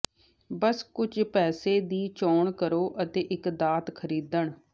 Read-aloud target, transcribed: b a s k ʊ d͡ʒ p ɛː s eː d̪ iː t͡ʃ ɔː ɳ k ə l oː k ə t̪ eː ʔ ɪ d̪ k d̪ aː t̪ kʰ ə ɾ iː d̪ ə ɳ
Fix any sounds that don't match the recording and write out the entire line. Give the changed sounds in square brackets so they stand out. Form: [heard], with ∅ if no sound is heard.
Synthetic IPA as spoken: b [ə] s k ʊ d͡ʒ p ɛː s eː d̪ iː t͡ʃ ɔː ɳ k ə [ɾ] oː [ʔ] ə t̪ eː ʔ ɪ [∅] k d̪ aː t̪ kʰ ə ɾ iː d̪ ə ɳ